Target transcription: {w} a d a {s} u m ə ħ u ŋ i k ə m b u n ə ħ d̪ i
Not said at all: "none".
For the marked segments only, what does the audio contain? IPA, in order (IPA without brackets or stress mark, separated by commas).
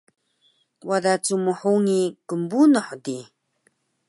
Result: w, t͡s